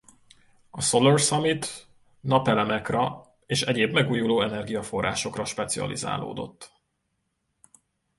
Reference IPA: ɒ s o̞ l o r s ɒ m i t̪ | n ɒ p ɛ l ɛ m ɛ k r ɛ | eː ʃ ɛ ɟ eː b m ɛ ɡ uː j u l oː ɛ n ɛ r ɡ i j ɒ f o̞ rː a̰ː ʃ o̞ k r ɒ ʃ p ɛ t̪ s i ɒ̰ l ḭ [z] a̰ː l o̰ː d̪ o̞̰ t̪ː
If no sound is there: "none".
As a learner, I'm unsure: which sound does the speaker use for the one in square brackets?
z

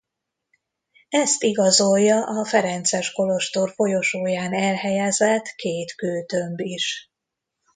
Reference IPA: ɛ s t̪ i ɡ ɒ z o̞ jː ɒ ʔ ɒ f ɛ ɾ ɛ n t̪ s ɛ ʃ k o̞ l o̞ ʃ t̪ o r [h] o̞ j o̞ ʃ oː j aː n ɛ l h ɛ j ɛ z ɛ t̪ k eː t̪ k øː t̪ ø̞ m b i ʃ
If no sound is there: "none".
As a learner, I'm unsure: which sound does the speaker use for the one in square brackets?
f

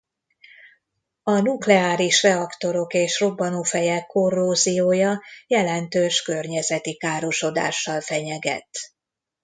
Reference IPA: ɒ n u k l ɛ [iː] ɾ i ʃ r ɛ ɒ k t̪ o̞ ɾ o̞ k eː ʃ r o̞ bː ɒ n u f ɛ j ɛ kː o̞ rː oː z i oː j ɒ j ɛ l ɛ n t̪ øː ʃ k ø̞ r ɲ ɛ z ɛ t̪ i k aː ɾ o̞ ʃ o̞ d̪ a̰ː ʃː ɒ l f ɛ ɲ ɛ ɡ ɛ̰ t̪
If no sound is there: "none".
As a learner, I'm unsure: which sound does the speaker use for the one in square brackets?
aː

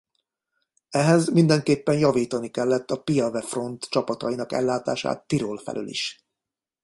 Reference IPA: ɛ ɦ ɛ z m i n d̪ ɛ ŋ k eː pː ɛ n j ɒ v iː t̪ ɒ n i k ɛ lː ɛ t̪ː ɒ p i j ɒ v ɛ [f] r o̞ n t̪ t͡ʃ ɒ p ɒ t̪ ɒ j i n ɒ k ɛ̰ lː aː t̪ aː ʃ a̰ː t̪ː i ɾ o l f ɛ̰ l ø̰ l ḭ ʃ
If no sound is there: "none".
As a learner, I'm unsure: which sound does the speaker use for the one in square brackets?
f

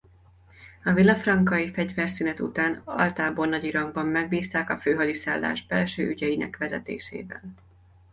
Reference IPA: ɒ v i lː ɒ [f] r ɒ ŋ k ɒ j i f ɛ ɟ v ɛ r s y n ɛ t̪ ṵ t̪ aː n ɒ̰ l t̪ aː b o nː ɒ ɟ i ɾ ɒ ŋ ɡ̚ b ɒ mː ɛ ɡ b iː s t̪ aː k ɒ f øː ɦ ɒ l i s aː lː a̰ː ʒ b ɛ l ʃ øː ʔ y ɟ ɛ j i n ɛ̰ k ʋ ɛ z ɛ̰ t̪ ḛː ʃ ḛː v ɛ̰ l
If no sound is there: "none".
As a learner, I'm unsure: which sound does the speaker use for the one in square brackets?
f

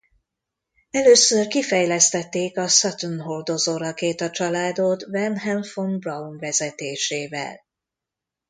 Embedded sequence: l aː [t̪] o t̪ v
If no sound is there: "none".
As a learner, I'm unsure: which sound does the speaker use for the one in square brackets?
d̪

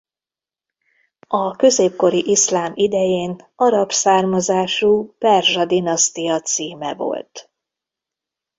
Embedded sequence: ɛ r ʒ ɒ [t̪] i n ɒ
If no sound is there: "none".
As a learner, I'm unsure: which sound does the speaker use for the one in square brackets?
d̪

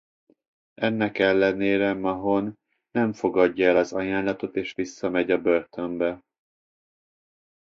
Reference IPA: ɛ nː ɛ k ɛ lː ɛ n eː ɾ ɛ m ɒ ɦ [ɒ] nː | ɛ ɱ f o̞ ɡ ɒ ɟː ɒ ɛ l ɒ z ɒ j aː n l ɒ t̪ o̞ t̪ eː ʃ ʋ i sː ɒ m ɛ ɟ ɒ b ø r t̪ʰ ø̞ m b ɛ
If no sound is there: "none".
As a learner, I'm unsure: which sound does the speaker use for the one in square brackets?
o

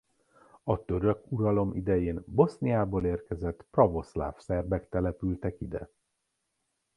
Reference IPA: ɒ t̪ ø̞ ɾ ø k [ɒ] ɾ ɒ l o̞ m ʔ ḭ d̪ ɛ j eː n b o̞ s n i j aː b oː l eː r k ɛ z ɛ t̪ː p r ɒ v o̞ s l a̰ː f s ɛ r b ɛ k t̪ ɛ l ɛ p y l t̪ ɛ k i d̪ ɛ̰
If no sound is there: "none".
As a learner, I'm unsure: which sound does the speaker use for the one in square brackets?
u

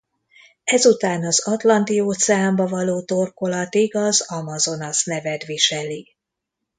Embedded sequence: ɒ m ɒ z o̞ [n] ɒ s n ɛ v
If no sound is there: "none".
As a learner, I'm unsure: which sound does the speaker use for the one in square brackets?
n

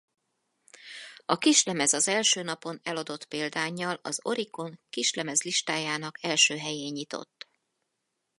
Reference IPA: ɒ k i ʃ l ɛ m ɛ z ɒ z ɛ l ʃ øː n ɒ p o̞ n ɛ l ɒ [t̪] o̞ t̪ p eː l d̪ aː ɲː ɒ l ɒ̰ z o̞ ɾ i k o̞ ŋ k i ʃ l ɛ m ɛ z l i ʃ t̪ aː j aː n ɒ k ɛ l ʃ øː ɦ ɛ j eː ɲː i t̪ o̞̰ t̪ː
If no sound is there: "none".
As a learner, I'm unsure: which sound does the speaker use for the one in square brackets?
d̪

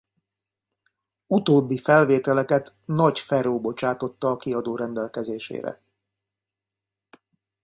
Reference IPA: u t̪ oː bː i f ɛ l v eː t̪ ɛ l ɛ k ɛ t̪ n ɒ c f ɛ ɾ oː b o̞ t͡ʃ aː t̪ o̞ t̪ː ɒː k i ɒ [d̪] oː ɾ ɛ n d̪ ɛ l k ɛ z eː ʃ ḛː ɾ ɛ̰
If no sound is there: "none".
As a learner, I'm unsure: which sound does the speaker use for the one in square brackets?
d̪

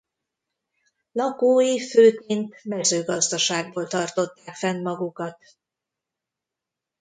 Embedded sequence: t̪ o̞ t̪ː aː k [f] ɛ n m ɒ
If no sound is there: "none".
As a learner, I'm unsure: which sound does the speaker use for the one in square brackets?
f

